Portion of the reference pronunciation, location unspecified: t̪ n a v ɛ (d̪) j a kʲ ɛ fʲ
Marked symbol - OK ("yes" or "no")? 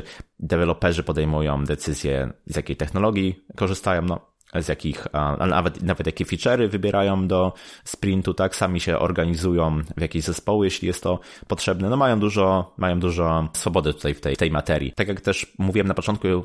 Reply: no